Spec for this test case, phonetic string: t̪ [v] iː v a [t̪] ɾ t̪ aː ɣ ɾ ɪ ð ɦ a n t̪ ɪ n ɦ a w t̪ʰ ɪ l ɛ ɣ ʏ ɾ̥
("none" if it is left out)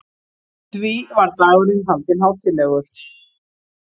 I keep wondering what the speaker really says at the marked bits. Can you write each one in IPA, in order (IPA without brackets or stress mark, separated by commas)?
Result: v, none